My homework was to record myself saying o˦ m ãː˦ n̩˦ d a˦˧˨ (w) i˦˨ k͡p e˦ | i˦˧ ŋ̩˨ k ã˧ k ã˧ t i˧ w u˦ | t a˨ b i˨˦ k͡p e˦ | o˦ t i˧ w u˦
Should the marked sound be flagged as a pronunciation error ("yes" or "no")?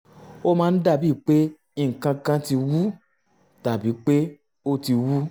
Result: yes